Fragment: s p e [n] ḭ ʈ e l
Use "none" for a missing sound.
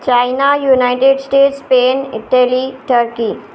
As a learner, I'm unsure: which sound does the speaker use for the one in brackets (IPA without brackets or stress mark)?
n